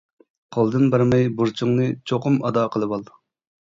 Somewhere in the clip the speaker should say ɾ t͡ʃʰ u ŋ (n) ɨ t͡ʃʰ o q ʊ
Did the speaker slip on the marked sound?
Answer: no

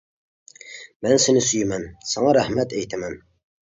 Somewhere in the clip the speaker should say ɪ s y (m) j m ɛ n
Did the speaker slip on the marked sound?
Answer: yes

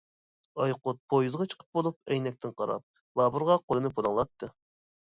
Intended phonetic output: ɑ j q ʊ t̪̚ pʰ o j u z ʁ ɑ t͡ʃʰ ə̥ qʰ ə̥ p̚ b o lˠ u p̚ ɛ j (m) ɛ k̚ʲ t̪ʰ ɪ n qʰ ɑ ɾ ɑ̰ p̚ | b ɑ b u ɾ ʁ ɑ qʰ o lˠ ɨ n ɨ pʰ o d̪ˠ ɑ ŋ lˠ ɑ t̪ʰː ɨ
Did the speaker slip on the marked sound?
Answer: yes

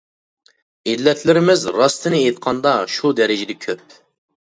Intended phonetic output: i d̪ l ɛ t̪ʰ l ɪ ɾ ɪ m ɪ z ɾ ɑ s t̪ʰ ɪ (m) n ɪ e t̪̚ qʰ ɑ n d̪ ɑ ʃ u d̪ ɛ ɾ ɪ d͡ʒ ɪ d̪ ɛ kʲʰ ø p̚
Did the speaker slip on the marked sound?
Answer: yes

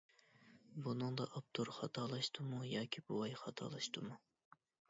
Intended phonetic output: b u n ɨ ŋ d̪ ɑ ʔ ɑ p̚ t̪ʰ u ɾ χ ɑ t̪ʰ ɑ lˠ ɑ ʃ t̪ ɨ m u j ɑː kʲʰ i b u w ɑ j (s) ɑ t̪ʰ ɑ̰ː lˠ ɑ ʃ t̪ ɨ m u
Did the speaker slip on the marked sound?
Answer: yes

